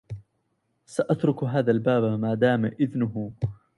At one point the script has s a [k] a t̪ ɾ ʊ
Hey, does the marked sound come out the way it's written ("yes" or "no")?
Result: no